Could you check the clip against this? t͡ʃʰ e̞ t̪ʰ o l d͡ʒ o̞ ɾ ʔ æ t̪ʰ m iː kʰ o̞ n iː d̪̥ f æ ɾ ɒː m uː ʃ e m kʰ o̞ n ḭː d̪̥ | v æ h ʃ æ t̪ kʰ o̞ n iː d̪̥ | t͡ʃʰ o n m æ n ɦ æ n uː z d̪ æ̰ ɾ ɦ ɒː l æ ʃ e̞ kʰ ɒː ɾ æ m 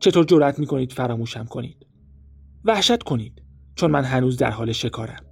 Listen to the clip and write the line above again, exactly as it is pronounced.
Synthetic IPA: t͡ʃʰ e̞ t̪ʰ o ɾ d͡ʒ o̞ ɾ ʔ æ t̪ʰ m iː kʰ o̞ n iː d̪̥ f æ ɾ ɒː m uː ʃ æ m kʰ o̞ n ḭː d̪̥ | v æ h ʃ æ t̪ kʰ o̞ n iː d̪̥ | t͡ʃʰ o n m æ n ɦ æ n uː z d̪ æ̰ ɾ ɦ ɒː l e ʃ e̞ kʰ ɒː ɾ æ m